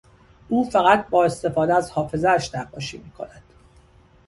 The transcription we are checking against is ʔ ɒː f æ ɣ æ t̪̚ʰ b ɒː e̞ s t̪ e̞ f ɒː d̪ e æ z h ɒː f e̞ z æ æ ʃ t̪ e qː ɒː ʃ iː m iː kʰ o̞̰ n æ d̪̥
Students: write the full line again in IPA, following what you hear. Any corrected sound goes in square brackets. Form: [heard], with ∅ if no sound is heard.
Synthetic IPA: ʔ [uː] f æ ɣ æ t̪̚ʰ b ɒː e̞ s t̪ e̞ f ɒː d̪ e æ z h ɒː f e̞ z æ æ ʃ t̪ [æ] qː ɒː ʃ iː m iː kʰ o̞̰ n æ d̪̥